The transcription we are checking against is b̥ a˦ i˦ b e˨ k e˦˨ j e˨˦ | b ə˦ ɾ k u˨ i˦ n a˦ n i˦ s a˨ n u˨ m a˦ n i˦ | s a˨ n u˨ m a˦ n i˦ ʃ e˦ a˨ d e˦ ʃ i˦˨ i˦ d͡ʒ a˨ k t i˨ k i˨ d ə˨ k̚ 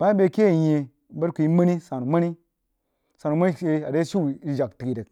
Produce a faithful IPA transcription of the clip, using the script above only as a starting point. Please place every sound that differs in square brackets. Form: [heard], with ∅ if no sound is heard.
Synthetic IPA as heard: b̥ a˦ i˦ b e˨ k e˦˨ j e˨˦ | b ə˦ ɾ k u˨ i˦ [m] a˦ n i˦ s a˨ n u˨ m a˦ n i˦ | s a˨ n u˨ m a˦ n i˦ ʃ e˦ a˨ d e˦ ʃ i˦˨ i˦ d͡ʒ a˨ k t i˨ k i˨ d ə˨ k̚